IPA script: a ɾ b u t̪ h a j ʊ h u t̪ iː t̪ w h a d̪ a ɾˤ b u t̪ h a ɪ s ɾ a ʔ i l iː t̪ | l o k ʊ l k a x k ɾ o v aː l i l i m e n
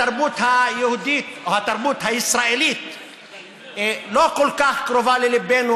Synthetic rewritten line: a ɾ b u t̪ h a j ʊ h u d̪ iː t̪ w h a t̪ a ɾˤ b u t̪ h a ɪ s ɾ a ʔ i l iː t̪ | l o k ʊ l k a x k ɾ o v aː l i l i b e n